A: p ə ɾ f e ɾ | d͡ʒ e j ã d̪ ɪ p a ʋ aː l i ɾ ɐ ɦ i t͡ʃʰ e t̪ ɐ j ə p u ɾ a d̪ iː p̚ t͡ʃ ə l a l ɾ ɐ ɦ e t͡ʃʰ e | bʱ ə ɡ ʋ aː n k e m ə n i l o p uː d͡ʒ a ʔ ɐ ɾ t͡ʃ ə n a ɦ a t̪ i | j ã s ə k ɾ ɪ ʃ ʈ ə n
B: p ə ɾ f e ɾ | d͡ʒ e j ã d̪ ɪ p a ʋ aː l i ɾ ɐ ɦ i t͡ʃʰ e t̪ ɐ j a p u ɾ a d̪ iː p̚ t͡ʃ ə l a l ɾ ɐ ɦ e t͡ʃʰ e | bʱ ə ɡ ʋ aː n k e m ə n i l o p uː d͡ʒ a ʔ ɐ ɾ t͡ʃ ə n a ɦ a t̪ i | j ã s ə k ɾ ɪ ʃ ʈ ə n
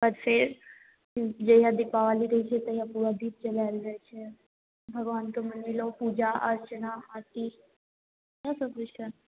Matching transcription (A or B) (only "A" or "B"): B